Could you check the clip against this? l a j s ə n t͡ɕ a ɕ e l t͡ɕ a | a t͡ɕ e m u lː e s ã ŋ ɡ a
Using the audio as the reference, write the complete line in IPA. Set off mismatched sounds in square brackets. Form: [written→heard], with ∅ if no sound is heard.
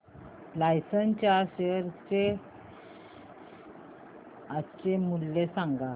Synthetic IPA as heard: l a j s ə n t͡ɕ a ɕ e [l→ɾ] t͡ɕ [a→e] | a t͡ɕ e m u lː e s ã ŋ ɡ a